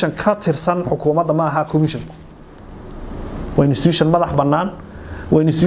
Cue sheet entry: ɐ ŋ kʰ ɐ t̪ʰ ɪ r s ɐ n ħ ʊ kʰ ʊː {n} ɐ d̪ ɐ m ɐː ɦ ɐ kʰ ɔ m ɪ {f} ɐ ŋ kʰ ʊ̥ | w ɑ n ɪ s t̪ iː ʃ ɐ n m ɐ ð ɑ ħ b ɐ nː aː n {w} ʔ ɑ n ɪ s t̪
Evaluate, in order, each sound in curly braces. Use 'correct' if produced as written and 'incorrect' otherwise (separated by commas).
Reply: incorrect, incorrect, correct